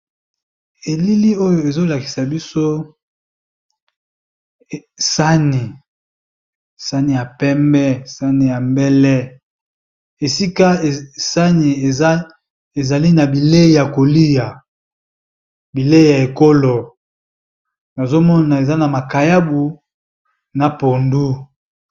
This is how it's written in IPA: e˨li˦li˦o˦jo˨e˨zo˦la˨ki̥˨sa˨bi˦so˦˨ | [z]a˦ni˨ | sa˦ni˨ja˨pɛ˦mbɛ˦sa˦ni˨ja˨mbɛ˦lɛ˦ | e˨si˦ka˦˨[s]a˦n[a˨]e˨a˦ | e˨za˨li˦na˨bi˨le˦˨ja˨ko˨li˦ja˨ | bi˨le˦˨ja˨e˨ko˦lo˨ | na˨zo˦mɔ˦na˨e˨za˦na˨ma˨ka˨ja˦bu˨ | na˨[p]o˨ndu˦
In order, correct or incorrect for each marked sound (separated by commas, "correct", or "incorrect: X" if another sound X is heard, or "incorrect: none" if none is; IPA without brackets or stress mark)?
incorrect: s, correct, incorrect: i˨, correct